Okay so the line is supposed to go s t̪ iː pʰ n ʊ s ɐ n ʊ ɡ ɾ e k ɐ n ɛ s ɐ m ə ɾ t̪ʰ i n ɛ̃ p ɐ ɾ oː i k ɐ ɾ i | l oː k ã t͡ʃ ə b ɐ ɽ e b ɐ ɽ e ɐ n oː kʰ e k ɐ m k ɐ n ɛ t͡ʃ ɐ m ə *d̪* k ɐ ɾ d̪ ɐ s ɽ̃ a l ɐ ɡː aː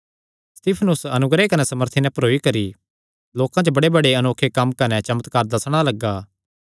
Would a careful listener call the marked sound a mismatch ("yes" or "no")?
yes